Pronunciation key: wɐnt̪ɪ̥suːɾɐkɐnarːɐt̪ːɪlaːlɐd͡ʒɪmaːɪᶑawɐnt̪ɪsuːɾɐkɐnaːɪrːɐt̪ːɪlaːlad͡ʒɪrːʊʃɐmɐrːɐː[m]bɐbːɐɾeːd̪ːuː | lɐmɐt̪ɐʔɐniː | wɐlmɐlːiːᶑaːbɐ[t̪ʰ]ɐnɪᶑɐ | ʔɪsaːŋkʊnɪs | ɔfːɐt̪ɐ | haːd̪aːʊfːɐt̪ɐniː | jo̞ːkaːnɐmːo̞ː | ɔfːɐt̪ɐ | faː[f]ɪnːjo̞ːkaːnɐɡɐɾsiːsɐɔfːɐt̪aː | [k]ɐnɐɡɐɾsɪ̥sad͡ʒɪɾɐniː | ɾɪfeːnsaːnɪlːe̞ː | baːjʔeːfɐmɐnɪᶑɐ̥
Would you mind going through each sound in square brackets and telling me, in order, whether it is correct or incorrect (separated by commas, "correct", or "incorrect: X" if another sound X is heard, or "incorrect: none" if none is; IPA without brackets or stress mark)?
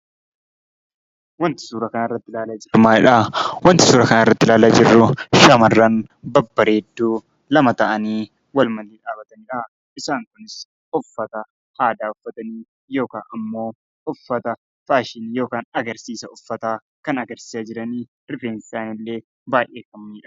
incorrect: n, incorrect: t̪, incorrect: ʃ, correct